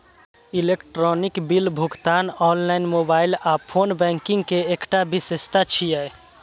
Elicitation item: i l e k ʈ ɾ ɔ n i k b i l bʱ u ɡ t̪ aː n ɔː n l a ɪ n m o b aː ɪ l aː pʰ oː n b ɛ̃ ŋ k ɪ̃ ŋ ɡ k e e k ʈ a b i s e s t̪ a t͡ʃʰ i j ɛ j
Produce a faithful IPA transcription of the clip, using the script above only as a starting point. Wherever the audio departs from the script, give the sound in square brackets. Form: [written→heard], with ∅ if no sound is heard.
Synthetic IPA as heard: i l e k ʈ ɾ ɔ n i k b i l bʱ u ɡ t̪ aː n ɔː n l a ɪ n m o b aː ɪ l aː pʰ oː n b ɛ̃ ŋ k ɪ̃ ŋ ɡ k e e k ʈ a b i s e s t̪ a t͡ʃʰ i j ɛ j

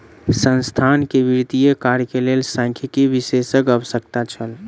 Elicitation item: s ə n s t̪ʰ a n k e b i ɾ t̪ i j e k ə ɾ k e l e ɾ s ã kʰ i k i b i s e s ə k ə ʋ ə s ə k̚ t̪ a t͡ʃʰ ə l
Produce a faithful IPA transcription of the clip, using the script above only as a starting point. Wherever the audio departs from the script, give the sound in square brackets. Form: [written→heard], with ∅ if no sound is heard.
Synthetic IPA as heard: s ə n s t̪ʰ a n k e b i ɾ t̪ i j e k [ə→a] ɾ k e l e [ɾ→l] s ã kʰ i k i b i s e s ə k ə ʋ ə s ə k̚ t̪ a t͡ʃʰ ə l

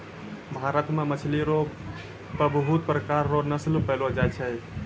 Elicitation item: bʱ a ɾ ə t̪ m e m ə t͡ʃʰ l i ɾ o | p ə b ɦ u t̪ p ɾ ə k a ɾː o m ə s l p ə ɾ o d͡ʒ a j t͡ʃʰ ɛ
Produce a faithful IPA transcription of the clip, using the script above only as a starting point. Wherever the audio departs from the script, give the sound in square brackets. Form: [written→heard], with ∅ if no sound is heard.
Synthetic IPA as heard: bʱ a ɾ ə t̪ m e m ə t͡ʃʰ l i ɾ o | p ə b ɦ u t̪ p ɾ ə k a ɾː o [m→n] ə s l p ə [ɾ→l] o d͡ʒ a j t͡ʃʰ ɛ

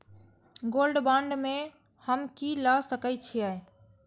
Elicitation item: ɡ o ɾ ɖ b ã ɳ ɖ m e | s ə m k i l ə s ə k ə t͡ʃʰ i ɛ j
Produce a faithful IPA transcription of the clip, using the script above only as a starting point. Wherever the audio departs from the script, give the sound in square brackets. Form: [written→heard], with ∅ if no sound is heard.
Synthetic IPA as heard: ɡ o [ɾ→l] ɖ b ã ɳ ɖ m e | [s→h] ə m k i l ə s ə k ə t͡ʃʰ i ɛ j

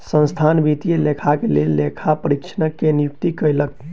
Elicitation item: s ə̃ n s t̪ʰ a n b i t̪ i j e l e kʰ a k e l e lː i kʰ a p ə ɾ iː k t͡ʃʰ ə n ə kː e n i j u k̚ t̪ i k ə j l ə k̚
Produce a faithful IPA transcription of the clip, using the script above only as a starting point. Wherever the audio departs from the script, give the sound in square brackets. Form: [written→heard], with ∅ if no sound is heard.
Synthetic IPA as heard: s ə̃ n s t̪ʰ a n b i t̪ i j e l e kʰ a k e l e lː [i→e] kʰ a p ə ɾ [iː→i] k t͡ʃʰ ə n ə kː e n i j u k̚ t̪ i k ə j l ə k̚

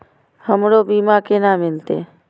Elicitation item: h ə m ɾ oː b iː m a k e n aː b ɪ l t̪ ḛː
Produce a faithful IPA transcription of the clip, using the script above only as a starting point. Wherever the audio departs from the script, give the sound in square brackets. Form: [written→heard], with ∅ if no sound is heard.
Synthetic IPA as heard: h ə m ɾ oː b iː m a k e n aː [b→m] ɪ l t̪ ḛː

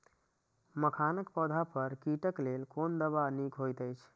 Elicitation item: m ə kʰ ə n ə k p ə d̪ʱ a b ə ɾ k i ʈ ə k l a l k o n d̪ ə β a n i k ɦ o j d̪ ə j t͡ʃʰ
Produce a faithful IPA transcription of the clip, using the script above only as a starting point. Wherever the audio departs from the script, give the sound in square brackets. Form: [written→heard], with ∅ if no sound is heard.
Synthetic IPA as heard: m ə kʰ [ə→a] n ə k p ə d̪ʱ a [b→p] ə ɾ k i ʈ ə k l [a→e] l k o n d̪ ə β a n i k ɦ o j [d̪→t̪] ə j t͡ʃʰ

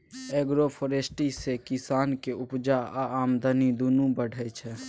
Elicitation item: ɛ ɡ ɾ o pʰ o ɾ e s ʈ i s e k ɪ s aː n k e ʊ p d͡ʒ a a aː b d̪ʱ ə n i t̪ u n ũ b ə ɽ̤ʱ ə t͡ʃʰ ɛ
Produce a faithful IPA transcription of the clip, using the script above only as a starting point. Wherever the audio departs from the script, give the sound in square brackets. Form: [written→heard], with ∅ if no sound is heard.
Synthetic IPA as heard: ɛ ɡ ɾ o pʰ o ɾ e s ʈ i s e k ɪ s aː n k e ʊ p d͡ʒ a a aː [b→m] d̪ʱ ə n i [t̪→d̪] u n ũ b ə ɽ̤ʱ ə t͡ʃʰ ɛ

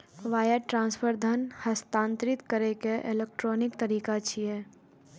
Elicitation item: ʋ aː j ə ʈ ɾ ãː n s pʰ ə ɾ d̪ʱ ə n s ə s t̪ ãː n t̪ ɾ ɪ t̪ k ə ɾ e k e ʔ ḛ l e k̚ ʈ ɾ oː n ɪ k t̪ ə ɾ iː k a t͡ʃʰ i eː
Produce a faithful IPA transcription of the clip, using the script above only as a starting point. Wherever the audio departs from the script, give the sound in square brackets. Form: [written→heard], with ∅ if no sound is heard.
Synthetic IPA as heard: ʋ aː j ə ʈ ɾ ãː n s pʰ ə ɾ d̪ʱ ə n [s→h] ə s t̪ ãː n t̪ ɾ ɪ t̪ k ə ɾ e k e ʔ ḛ l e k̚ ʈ ɾ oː n ɪ k t̪ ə ɾ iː k a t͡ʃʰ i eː

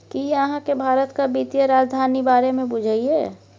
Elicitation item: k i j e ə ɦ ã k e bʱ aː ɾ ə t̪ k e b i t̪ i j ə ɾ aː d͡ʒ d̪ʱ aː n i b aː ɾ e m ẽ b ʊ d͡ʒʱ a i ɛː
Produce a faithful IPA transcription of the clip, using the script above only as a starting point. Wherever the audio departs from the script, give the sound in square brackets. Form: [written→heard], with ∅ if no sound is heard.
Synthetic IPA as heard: k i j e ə ɦ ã k e bʱ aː ɾ ə t̪ k [e→a] b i t̪ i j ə ɾ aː d͡ʒ d̪ʱ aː n i b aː ɾ e m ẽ b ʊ d͡ʒʱ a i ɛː

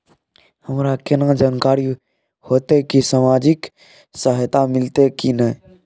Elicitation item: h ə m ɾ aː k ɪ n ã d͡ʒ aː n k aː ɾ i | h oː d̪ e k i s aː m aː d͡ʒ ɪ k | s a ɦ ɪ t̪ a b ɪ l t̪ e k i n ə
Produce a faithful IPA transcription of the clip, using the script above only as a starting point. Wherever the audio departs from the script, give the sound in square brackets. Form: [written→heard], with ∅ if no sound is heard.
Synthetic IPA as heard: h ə m ɾ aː k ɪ n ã d͡ʒ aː n k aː ɾ i | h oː [d̪→t̪] e k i s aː m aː d͡ʒ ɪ k | s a ɦ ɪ t̪ a [b→m] ɪ l t̪ e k i n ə

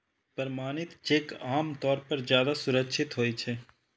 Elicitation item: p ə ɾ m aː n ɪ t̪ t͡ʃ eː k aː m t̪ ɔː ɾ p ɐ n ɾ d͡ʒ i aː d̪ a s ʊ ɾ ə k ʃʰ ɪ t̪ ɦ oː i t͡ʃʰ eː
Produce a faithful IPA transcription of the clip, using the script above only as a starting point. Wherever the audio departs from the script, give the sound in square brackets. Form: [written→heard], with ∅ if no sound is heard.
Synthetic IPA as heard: p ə ɾ m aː n ɪ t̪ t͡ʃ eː k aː m t̪ ɔː ɾ p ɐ [n→∅] ɾ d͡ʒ [i→j] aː d̪ a s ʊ ɾ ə k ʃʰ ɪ t̪ ɦ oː i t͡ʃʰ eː

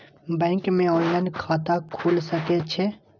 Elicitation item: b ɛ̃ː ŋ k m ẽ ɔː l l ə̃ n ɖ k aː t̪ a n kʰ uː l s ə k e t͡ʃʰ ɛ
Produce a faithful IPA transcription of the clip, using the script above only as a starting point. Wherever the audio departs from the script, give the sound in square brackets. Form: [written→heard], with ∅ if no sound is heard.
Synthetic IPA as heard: b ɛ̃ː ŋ k m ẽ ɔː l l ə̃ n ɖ [k→kʰ] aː t̪ a [n→∅] kʰ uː l s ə k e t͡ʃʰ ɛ

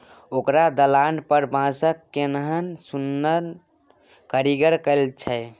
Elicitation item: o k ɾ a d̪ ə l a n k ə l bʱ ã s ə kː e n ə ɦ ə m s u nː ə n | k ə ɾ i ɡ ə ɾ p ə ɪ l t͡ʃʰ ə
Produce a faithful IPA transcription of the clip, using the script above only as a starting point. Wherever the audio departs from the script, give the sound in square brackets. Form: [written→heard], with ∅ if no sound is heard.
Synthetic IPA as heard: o k ɾ a d̪ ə l a n [k→p] ə [l→ɾ] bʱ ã s ə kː e n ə ɦ ə [m→n] s u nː ə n | k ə ɾ i ɡ ə ɾ [p→k] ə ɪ l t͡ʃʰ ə

